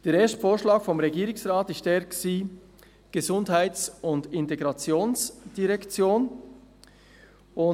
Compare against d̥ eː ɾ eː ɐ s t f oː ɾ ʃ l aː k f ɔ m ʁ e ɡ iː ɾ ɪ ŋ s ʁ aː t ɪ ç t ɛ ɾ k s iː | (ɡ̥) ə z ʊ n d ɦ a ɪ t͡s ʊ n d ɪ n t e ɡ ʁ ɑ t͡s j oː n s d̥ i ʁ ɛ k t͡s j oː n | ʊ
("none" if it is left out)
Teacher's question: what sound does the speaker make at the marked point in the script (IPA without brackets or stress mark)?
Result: ɡ̥